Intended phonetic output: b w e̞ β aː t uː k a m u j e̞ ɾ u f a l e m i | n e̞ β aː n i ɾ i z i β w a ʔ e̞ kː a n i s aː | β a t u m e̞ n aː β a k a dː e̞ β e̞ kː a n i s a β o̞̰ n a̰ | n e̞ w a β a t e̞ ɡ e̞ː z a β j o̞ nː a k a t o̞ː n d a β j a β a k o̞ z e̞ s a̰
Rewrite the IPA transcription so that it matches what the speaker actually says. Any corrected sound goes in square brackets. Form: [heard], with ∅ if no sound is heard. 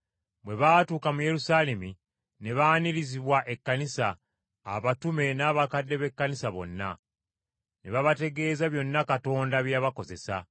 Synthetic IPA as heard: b w e̞ β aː t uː k a m u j e̞ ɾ u [s] a l e m i | n e̞ β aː n i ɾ i z i β w a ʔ e̞ kː a n i s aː | β a t u m e̞ n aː β a k a dː e̞ β e̞ kː a n i s a β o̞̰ [nː] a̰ | n e̞ [β] a β a t e̞ ɡ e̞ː z a β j o̞ nː a k a t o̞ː n d a β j a β a k o̞ z e̞ s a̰